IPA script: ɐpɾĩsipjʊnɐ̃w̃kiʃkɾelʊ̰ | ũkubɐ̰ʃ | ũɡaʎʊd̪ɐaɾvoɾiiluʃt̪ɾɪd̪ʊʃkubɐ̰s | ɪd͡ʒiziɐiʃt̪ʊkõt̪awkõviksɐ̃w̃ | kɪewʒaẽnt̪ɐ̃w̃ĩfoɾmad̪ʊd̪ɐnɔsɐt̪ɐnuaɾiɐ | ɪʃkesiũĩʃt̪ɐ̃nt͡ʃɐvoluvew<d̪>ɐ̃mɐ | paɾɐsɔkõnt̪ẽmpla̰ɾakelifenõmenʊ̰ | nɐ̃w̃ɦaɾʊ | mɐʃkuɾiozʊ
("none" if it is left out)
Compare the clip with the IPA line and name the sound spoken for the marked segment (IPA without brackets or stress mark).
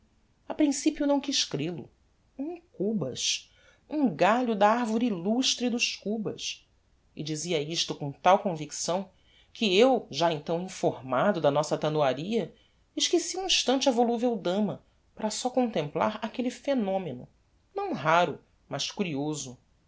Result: d̪